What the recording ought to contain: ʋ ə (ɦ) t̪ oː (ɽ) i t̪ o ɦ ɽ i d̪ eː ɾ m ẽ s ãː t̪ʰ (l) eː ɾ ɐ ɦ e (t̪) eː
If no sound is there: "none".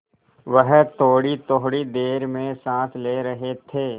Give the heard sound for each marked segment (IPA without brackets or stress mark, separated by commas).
ɦ, ɽ, l, t̪ʰ